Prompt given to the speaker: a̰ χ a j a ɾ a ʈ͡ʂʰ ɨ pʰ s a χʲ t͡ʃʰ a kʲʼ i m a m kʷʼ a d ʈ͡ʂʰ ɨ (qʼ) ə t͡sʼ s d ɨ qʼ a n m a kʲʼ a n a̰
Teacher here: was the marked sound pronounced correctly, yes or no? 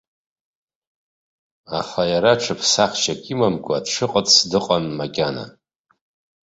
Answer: yes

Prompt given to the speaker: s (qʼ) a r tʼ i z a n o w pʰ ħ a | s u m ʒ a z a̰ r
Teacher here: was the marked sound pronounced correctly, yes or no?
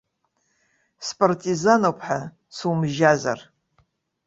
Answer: no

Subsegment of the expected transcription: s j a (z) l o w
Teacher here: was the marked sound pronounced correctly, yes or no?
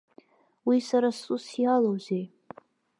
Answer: no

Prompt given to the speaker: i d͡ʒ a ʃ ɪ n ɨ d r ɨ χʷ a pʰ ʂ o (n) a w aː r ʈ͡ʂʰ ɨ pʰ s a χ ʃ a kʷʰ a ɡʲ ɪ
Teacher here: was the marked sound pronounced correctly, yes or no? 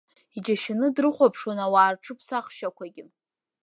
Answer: yes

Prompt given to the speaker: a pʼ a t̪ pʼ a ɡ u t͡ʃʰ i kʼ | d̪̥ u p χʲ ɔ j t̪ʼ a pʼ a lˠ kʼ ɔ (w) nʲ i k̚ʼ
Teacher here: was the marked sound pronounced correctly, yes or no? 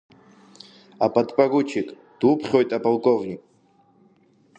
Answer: no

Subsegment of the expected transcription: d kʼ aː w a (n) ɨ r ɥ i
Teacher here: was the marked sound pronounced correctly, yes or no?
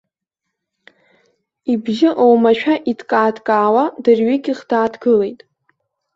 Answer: no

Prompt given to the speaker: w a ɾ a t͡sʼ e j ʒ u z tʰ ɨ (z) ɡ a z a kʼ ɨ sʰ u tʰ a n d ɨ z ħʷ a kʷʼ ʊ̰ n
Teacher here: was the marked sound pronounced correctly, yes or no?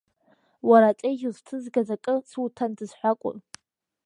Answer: yes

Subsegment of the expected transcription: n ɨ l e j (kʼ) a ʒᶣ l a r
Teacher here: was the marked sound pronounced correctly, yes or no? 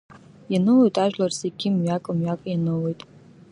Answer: no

